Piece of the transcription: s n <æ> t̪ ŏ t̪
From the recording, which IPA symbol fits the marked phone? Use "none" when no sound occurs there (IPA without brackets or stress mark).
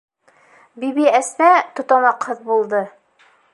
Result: æ